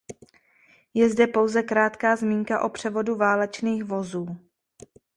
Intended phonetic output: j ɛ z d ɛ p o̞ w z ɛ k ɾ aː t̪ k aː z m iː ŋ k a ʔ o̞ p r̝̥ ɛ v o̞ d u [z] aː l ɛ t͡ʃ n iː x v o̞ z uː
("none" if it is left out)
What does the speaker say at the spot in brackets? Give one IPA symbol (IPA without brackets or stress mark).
v